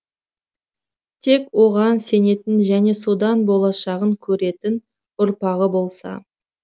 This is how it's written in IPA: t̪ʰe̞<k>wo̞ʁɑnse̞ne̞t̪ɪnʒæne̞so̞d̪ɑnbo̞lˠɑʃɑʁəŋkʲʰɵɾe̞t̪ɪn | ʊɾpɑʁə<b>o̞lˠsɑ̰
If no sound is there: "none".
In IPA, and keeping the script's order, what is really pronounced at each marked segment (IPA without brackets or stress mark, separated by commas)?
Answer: k, b